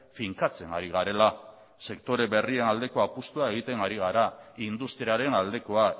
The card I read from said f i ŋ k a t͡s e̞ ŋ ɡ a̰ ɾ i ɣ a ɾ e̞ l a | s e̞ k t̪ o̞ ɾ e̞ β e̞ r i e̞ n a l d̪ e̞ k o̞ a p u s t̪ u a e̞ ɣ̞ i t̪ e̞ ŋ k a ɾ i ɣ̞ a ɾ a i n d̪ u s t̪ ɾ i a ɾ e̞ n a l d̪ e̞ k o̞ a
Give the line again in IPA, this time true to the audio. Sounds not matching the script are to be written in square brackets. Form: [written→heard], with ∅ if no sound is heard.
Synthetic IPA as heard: f i ŋ k a t͡s e̞ ŋ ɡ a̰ ɾ i ɣ a ɾ e̞ l a | s e̞ k t̪ o̞ ɾ e̞ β e̞ r i e̞ n a l d̪ e̞ k o̞ a p u s t̪ u a e̞ ɣ̞ i t̪ e̞ ŋ [k→ɡ] a ɾ i ɣ̞ a ɾ a i n d̪ u s t̪ ɾ i a ɾ e̞ n a l d̪ e̞ k o̞ a